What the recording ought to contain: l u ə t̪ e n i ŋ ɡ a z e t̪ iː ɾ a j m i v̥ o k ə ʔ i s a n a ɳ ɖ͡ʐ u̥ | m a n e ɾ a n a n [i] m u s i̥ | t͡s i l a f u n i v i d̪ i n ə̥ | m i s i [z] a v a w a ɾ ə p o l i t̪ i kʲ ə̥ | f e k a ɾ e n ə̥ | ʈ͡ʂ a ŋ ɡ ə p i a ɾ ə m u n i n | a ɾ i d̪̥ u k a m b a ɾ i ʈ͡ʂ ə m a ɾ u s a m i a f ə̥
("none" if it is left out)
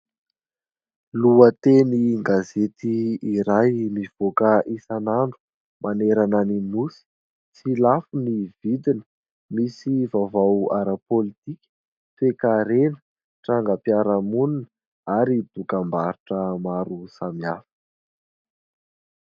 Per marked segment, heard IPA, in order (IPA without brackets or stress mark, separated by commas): i, v